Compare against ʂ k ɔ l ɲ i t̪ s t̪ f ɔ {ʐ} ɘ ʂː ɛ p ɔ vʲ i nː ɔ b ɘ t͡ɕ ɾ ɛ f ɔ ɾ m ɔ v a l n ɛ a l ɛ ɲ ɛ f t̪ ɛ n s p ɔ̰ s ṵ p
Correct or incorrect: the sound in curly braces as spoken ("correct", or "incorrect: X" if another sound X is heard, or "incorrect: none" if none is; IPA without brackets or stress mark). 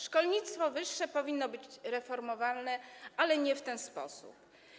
incorrect: v